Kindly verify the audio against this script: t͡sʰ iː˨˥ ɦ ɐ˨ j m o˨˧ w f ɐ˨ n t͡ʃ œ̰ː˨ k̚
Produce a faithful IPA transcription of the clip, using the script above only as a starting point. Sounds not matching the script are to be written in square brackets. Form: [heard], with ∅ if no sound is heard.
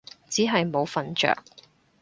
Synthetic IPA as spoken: [t͡s] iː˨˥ ɦ ɐ˨ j m o˨˧ w f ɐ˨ n t͡ʃ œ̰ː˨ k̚